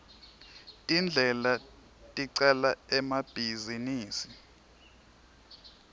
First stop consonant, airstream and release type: ejective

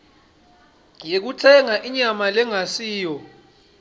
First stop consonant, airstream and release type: plain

